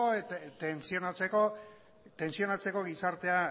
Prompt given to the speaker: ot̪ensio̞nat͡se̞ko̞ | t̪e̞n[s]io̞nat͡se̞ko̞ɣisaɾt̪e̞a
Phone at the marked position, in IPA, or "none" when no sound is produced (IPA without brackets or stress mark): s